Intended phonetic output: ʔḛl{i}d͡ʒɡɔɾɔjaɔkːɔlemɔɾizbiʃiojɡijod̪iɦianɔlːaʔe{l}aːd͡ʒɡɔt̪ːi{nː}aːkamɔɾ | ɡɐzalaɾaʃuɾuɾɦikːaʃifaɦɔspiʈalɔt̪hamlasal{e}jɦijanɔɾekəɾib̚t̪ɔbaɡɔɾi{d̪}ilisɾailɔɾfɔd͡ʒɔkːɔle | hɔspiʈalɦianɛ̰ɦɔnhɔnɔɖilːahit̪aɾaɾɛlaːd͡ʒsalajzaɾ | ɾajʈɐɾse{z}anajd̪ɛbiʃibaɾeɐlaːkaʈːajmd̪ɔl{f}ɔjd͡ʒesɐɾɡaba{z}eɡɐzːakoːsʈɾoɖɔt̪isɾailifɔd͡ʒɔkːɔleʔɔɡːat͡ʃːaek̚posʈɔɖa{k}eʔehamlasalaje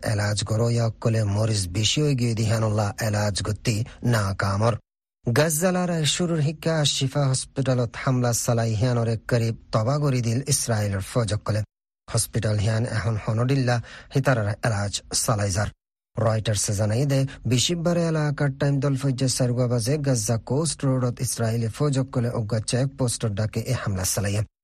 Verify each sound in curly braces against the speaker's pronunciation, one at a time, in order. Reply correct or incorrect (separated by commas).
incorrect, correct, incorrect, incorrect, correct, correct, correct, correct, correct